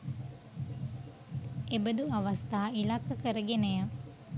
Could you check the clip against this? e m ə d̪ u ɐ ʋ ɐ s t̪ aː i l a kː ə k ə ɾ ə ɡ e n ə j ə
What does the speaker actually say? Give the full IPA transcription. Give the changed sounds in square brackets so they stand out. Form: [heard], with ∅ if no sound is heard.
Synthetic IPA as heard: e [b] ə d̪ u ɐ ʋ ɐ s t̪ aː i l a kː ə k ə ɾ ə ɡ e n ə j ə